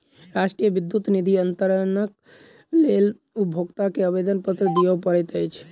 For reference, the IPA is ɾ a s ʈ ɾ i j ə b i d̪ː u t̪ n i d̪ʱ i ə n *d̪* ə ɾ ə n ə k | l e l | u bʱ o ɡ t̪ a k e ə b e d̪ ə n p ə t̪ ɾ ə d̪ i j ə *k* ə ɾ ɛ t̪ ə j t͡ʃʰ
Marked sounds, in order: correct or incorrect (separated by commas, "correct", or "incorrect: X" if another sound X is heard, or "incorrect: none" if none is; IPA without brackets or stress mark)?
incorrect: t̪, incorrect: p